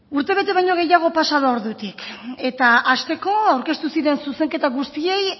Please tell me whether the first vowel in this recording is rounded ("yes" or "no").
yes